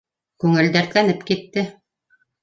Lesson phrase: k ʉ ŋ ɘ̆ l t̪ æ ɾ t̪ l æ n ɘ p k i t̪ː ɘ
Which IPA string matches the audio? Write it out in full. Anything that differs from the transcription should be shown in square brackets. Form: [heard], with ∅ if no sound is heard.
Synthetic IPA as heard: k ʉ ŋ ɘ̆ l [d̪] æ ɾ t̪ l æ n ɘ p k i t̪ː ɘ